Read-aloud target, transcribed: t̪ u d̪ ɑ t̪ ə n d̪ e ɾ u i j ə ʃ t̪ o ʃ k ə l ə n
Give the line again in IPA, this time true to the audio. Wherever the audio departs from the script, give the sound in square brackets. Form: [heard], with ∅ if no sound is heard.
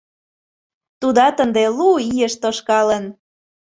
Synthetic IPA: t̪ u d̪ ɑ t̪ ə n d̪ e [l] u i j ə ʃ t̪ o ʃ k [ɑ] l ə n